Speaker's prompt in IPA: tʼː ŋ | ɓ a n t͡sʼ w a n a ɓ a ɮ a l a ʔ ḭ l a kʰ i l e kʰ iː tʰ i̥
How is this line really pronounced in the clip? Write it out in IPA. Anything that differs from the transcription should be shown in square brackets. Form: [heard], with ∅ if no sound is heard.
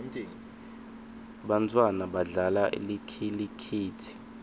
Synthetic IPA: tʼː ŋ | ɓ a n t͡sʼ w a n a ɓ a ɮ a l a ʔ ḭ l [i] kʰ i l [i] kʰ iː tʰ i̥